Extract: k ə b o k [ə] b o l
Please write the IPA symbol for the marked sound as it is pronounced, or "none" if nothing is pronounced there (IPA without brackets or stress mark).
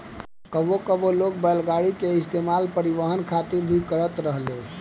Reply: ə